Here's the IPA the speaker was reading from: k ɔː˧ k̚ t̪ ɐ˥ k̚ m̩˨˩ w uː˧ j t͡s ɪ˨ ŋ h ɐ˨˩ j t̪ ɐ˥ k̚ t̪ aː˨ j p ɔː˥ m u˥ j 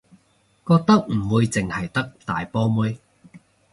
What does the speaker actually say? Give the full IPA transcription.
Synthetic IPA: k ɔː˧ k̚ t̪ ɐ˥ k̚ m̩˨˩ w uː˧ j t͡s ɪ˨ ŋ h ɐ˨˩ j t̪ ɐ˥ k̚ t̪ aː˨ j p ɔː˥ m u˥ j